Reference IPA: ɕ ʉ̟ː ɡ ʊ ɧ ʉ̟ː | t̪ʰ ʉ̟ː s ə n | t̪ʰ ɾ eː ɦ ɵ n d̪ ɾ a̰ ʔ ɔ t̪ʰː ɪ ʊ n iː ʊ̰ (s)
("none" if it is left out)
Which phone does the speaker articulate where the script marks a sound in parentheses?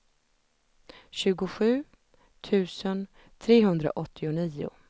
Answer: none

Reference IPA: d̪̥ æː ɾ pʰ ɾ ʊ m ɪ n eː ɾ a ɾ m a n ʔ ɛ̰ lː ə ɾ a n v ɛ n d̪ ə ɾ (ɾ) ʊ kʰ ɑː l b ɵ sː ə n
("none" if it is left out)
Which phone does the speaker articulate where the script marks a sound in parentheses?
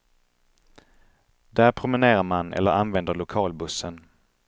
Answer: ɭ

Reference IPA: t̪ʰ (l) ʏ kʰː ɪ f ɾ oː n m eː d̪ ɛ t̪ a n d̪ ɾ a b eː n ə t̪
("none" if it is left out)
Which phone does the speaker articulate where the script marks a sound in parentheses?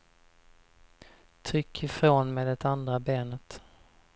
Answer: ɾ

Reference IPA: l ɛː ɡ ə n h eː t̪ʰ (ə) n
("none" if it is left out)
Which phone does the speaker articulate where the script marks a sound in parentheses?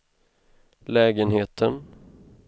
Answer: ə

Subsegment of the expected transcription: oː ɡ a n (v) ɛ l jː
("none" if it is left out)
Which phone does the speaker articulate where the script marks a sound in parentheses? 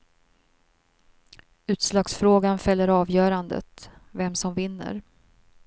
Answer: f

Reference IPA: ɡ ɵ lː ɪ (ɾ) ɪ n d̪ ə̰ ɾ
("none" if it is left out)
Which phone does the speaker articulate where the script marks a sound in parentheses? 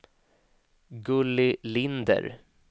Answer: l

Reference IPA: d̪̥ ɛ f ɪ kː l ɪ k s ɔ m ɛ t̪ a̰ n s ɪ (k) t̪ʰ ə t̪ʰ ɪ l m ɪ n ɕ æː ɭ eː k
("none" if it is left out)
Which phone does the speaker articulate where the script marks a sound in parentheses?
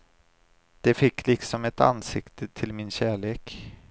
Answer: k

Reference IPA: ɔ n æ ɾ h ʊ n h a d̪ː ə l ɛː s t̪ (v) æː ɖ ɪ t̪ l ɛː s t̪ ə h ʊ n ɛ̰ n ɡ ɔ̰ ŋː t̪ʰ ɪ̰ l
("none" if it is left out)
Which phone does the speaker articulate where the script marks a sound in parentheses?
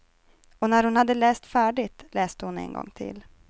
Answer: f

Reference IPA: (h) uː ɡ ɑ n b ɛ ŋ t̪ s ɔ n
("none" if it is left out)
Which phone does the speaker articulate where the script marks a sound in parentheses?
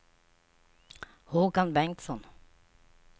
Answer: h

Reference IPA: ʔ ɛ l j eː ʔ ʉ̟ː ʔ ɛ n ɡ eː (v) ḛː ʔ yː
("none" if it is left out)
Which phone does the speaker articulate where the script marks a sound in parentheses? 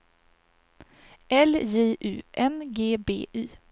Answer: b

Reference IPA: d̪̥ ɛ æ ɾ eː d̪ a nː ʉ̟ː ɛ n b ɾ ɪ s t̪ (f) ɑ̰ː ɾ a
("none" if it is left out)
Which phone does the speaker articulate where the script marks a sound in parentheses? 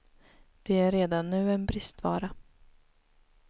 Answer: v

